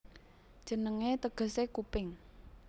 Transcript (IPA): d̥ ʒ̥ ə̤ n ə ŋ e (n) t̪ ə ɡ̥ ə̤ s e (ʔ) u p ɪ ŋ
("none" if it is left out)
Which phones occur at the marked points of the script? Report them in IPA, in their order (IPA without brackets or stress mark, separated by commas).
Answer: none, k